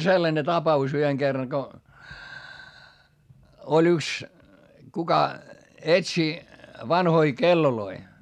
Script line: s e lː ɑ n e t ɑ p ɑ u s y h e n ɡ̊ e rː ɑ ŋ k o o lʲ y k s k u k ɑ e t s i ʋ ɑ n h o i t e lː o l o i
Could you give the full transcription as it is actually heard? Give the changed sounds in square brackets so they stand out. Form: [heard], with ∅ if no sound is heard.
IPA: s e lː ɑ n e t ɑ p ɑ u s y h e [ŋ] ɡ̊ e rː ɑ ŋ k o o lʲ y k s k u k ɑ e t s i ʋ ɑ n h o i [k] e lː o l o i

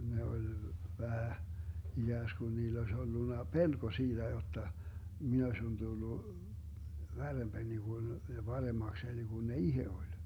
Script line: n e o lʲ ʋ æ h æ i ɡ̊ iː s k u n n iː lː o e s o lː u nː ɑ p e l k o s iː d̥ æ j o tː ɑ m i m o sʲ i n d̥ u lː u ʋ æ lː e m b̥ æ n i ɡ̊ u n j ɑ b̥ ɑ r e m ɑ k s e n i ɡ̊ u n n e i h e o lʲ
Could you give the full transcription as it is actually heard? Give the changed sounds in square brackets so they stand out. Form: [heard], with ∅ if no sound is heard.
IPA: n e o lʲ ʋ æ h æ i ɡ̊ [æː] s k u n n iː lː o e s o lː u nː ɑ p e l k o s iː d̥ æ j o tː ɑ m i [n] o sʲ i n d̥ u lː u ʋ æ [rː] e m b̥ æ n i ɡ̊ u n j ɑ b̥ ɑ r e m ɑ k s e n i ɡ̊ u n n e i h e o lʲ

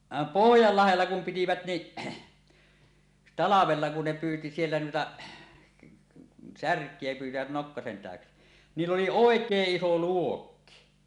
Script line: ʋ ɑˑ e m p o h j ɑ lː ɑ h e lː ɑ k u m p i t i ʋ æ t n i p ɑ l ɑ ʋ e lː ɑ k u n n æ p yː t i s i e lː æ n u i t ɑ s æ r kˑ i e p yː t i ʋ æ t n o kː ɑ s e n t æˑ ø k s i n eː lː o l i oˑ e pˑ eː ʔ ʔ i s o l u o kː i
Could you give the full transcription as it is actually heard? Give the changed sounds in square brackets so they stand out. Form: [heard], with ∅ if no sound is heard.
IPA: ʋ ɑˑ e m p o h j ɑ lː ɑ h e lː ɑ k u m p i t i ʋ æ t n i [t] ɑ l ɑ ʋ e lː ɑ k u n n [e] p yː t i s i e lː æ n u i t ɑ s æ r kˑ i e p yː t i ʋ æ t n o kː ɑ s e n t æˑ ø k s i n [iː] lː o l i oˑ e [kˑ] eː ʔ ʔ i s o l u o kː i

